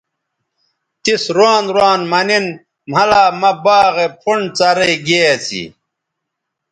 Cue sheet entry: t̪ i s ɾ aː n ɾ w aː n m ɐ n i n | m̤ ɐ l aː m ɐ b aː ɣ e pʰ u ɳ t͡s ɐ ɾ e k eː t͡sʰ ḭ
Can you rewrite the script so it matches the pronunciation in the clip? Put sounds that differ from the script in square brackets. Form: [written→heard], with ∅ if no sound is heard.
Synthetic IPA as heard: t̪ i s ɾ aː n ɾ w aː n m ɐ n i n | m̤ ɐ l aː m ɐ b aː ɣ e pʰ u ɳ t͡s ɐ ɾ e [k→ɡ] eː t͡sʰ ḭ